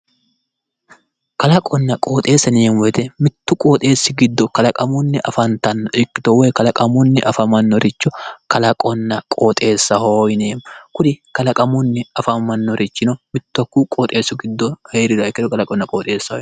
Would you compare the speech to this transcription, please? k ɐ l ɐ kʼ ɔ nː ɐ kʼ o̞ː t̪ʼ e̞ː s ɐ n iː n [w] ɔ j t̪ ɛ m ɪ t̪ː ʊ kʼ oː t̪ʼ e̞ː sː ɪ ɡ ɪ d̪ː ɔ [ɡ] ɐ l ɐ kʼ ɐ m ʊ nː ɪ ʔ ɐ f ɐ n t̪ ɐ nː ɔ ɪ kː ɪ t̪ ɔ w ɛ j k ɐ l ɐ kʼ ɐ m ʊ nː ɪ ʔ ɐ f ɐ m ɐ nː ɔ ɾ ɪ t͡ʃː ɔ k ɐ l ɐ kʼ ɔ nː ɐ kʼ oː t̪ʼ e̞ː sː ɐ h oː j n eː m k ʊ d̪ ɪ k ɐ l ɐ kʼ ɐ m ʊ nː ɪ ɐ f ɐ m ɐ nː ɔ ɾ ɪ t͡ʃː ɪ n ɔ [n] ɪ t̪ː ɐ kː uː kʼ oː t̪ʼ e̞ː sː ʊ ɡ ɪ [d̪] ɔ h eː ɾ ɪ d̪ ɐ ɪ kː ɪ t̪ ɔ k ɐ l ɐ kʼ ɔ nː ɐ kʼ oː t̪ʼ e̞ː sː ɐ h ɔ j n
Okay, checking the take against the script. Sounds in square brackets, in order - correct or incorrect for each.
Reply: correct, incorrect: k, incorrect: m, incorrect: d̪ː

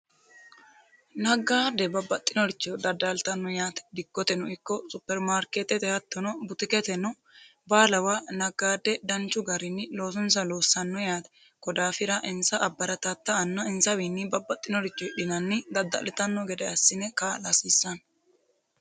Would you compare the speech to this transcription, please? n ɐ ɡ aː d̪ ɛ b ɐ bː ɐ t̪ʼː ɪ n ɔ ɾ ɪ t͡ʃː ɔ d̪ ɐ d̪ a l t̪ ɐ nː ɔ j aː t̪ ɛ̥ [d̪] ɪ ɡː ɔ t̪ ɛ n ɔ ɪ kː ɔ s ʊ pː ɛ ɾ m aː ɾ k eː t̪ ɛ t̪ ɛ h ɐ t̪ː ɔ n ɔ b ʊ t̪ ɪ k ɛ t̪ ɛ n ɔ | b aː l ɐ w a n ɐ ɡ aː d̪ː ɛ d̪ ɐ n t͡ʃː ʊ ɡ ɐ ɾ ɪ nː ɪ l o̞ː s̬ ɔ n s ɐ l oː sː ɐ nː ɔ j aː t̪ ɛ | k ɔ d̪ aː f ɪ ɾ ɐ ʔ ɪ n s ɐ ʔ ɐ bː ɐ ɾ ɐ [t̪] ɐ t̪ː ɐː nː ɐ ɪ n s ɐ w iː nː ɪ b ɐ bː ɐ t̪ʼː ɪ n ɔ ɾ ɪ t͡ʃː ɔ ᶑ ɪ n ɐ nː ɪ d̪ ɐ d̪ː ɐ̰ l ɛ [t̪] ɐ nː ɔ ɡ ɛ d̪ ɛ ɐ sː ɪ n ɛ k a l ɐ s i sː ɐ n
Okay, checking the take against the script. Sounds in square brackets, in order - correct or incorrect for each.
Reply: correct, correct, correct

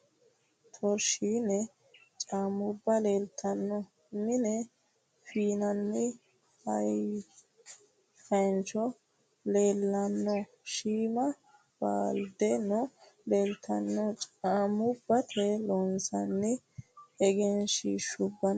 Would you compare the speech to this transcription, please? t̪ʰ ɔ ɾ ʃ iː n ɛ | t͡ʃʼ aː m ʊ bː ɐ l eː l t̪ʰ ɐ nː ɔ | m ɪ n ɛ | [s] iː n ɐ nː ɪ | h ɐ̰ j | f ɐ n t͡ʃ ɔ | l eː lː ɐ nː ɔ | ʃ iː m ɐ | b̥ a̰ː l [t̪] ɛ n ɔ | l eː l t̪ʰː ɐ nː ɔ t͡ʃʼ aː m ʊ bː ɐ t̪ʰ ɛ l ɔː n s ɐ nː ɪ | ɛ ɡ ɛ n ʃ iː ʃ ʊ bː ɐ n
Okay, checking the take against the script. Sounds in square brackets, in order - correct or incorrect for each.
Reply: incorrect: f, incorrect: d̪

